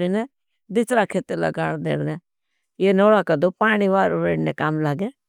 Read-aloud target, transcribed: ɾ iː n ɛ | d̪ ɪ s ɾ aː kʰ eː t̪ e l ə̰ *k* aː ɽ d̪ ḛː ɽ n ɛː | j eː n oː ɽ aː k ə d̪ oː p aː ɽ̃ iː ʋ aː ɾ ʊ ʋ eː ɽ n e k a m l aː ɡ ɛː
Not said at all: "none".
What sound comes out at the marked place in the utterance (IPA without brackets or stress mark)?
ɡ